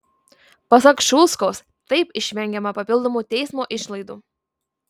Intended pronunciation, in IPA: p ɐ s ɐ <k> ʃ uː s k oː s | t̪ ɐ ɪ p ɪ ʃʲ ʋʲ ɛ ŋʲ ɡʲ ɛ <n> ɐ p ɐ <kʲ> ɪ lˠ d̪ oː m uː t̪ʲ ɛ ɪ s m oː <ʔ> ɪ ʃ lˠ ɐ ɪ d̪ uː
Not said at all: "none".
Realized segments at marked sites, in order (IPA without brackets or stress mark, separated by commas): k, m, pʲ, ʔ